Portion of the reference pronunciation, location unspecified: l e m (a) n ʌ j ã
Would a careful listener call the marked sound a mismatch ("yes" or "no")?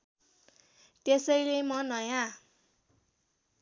yes